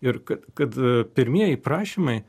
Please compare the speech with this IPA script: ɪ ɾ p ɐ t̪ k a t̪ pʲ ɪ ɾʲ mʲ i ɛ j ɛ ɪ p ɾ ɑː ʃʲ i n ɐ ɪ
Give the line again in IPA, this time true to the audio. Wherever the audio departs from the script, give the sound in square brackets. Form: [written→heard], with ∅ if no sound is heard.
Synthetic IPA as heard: ɪ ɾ [p→k] ɐ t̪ k [a→ɐ] t̪ pʲ ɪ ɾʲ mʲ i ɛ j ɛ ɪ p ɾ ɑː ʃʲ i [n→m] ɐ ɪ